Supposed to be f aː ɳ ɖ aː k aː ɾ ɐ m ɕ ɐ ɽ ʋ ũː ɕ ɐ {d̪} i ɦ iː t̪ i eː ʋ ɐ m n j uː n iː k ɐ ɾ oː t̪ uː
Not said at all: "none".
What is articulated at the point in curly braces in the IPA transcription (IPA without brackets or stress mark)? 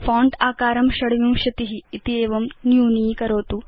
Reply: t̪